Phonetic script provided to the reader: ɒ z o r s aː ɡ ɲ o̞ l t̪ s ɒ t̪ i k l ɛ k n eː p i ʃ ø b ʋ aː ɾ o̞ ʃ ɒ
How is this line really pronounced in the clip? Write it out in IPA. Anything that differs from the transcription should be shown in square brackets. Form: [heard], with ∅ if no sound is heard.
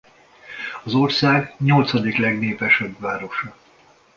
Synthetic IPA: ɒ z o r s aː ɡ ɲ o̞ l t̪ s ɒ [d̪] i k l ɛ [ɡ] n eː p [ɛ] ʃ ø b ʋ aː ɾ o̞ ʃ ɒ